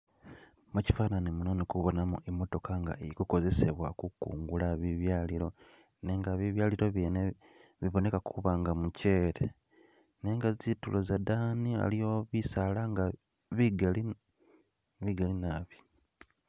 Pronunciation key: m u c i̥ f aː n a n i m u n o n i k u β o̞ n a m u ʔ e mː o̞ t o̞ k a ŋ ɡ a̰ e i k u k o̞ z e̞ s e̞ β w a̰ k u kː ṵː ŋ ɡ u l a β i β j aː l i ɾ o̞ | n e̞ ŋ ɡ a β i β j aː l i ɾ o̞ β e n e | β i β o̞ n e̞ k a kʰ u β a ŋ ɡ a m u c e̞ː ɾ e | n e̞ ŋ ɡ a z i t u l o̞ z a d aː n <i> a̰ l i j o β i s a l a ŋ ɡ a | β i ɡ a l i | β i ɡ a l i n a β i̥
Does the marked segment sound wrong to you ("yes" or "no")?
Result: no